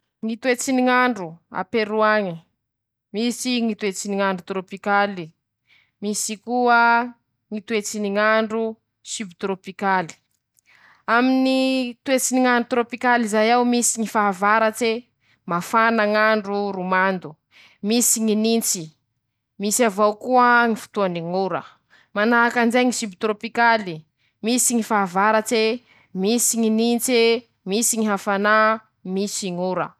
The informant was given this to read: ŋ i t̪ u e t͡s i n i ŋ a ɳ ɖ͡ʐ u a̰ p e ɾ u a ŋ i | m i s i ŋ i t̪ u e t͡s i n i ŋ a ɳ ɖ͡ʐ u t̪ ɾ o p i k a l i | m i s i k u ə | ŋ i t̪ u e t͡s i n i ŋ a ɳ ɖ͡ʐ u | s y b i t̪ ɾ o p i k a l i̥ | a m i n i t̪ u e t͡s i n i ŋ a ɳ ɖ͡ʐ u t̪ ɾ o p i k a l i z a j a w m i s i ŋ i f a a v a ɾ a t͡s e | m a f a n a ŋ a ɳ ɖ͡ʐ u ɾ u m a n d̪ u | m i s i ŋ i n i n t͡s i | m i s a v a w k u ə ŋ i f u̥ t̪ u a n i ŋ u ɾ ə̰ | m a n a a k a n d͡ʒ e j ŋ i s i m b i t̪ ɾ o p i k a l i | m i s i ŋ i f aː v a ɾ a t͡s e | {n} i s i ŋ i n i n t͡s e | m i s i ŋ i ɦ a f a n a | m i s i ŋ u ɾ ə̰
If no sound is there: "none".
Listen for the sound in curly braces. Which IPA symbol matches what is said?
m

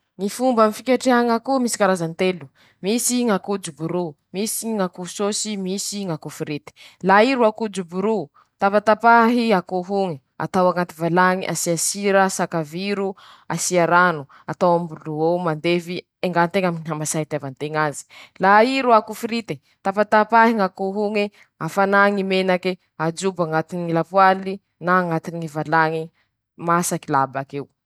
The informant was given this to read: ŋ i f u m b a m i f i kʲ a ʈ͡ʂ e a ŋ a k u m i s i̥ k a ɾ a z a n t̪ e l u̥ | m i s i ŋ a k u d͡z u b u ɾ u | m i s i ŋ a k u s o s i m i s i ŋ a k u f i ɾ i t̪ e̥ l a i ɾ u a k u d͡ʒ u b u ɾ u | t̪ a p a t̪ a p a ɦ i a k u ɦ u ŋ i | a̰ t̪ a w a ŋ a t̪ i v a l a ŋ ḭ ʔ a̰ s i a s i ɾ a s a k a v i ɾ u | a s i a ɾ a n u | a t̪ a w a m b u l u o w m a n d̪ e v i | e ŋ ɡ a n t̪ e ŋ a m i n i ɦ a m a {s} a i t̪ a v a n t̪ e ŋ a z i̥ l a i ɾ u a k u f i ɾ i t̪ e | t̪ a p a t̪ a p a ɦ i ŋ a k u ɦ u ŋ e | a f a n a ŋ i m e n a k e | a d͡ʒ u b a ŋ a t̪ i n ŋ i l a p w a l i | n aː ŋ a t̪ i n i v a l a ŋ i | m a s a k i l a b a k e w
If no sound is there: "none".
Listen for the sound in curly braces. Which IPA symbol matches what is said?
s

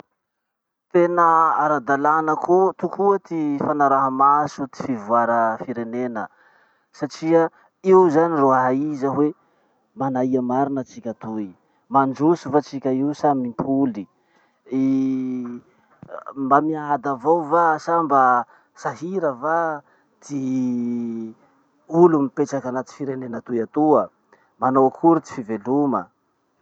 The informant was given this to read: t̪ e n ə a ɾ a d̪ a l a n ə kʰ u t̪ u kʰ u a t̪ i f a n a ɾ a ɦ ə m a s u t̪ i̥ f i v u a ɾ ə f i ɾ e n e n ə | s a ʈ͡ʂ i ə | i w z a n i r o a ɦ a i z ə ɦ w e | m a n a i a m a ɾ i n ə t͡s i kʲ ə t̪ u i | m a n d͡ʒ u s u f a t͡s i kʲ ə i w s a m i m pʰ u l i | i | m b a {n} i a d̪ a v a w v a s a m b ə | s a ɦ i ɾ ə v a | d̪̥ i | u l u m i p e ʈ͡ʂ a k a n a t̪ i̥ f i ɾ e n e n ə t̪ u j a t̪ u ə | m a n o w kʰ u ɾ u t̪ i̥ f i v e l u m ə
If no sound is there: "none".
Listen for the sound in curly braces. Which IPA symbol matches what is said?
m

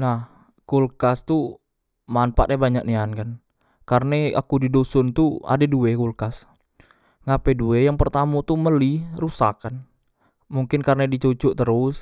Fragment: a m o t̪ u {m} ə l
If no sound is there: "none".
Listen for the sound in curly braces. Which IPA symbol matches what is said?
m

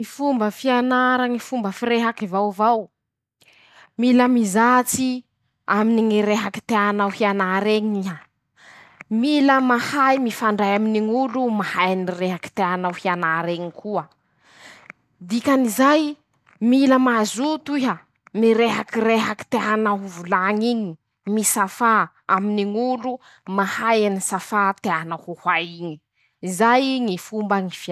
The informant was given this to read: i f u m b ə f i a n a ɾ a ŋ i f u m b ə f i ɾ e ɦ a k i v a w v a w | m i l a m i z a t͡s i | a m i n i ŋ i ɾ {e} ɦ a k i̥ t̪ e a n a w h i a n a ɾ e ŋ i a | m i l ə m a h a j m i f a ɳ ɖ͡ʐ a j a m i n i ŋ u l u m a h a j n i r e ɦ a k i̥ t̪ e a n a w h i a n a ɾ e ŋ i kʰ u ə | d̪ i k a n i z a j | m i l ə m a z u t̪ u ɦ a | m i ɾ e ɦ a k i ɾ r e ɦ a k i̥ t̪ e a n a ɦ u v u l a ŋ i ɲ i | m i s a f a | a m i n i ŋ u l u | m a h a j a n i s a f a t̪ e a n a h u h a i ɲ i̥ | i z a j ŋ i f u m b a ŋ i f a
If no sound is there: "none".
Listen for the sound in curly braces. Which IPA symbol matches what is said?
e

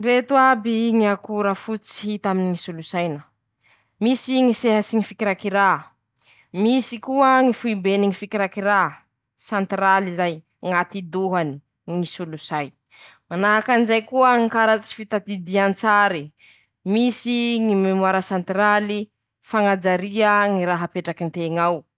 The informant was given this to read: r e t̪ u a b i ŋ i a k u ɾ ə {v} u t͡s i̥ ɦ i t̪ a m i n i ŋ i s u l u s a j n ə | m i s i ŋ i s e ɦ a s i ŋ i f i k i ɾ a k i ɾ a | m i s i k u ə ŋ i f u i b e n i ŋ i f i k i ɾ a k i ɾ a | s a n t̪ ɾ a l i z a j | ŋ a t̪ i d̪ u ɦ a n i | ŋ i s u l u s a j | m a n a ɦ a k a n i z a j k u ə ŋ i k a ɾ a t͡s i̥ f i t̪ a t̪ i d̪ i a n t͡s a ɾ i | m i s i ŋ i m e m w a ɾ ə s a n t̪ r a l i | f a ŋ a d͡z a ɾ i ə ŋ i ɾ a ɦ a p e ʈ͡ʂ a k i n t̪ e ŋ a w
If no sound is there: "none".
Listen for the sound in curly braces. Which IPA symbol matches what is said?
f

